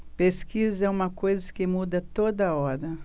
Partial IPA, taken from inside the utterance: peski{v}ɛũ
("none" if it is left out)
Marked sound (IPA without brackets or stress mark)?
z